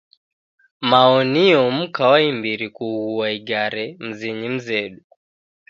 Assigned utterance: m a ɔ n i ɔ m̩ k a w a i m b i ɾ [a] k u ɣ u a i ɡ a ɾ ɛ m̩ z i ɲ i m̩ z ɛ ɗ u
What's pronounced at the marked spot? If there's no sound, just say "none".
i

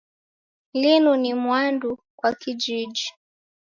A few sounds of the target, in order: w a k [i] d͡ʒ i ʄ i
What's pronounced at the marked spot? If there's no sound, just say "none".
i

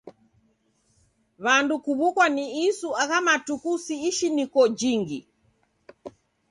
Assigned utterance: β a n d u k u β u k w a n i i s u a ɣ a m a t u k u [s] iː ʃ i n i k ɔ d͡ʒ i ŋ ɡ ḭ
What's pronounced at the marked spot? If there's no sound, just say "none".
s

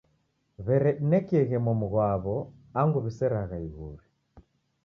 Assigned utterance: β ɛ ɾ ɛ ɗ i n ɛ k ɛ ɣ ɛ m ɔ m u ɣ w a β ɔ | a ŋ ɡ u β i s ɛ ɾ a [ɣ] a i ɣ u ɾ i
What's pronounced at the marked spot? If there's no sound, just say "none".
ɣ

